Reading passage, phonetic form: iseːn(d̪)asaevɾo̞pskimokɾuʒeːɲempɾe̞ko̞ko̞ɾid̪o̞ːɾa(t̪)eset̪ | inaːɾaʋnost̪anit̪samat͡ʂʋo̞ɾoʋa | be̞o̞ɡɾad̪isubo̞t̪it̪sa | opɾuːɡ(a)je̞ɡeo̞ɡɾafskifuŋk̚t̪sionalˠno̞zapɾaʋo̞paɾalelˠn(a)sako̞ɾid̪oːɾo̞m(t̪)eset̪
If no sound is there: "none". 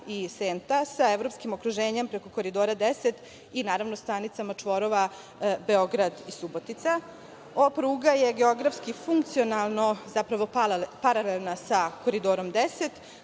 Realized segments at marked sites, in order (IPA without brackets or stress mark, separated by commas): t̪, d̪, a, a, d̪